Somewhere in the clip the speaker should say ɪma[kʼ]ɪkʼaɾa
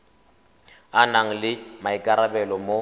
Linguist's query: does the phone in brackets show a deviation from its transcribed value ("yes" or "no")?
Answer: yes